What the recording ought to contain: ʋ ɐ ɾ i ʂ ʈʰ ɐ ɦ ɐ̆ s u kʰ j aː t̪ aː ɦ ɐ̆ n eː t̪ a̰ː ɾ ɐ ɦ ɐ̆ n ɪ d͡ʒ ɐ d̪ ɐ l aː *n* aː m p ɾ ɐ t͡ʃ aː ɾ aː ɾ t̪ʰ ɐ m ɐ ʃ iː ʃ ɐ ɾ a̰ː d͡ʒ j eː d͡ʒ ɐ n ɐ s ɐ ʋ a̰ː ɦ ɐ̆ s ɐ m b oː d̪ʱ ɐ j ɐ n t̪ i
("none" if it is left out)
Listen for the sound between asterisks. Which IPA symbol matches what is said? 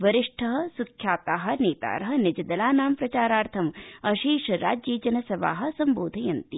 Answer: n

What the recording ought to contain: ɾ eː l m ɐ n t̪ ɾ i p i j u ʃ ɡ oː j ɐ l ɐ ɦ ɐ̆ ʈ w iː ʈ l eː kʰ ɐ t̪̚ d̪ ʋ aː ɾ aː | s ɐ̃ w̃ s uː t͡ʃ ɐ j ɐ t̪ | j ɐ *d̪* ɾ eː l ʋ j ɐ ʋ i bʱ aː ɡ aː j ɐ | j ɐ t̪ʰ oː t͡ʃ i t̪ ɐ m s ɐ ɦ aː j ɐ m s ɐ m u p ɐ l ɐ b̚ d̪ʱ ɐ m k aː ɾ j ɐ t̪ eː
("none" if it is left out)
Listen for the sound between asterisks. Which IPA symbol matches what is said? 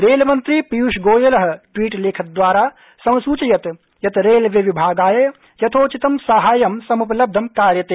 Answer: t̪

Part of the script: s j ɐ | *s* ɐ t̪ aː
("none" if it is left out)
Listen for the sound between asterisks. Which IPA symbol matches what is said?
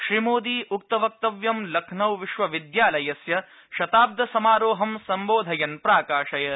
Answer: ʃ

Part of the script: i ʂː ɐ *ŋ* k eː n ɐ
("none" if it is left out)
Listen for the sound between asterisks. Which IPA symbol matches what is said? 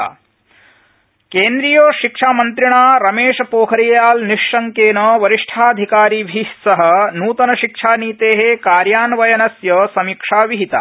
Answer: ŋ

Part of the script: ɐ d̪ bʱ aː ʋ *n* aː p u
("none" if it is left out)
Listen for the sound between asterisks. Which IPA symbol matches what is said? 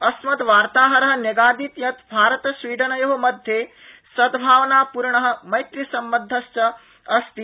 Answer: n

